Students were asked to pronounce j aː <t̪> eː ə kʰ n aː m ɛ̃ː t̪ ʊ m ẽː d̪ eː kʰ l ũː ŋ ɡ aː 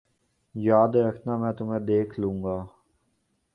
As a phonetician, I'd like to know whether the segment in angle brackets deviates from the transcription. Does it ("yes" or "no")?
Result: yes